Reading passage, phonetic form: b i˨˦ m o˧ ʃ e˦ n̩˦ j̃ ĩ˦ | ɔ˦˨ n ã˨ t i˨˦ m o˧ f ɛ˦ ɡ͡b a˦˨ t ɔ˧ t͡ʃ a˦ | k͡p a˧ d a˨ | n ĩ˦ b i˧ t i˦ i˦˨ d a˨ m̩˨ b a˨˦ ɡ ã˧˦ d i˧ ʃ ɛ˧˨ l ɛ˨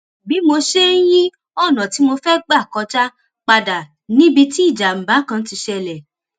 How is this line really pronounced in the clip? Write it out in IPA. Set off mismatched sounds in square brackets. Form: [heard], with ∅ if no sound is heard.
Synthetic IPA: b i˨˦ m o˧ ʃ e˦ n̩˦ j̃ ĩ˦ | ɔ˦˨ n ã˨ t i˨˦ m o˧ f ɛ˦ ɡ͡b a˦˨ [k] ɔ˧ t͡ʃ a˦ | k͡p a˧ d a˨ | n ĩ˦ b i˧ t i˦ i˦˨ [d͡ʒ] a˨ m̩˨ b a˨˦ [k] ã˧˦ [t] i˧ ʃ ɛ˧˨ l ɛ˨